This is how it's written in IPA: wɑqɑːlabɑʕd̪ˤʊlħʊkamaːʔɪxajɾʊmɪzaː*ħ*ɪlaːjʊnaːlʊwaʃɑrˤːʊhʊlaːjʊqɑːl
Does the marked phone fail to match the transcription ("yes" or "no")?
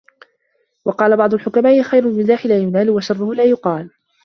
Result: no